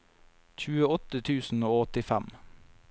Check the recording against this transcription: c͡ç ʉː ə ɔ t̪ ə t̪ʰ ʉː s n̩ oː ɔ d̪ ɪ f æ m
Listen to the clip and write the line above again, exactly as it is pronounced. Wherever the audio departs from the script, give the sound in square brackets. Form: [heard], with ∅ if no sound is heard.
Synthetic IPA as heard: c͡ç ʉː ə ɔ t̪ ə t̪ʰ ʉː s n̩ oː ɔ [t̪] ɪ f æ m